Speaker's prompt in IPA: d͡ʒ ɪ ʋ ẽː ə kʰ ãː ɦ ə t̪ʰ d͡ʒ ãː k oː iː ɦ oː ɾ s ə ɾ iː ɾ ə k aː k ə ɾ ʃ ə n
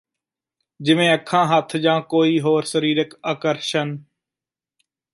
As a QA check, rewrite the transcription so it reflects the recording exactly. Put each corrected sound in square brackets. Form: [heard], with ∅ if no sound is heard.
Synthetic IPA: d͡ʒ ɪ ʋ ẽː ə kʰ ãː ɦ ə t̪ʰ d͡ʒ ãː k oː iː ɦ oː ɾ s ə ɾ iː ɾ ə k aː k ə ɾ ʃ ə n